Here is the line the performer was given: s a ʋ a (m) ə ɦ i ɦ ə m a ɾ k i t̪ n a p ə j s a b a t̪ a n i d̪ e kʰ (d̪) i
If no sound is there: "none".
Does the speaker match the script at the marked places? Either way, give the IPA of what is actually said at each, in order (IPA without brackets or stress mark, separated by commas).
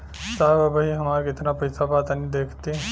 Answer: b, t̪